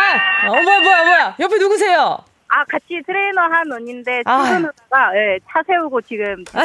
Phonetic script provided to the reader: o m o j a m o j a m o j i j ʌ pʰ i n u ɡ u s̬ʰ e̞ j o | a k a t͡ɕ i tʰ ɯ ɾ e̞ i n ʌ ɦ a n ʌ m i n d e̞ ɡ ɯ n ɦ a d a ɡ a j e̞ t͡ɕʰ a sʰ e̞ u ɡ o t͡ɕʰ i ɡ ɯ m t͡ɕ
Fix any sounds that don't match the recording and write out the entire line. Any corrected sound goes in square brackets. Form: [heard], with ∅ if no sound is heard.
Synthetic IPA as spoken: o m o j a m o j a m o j [a] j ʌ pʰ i n u ɡ u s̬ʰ e̞ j o | a k a [t͡ɕʰ] i tʰ ɯ ɾ e̞ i n ʌ ɦ a n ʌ [ɲ] i n d e̞ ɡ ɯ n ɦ a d a ɡ a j e̞ t͡ɕʰ a sʰ e̞ u ɡ o [t͡ɕ] i ɡ ɯ m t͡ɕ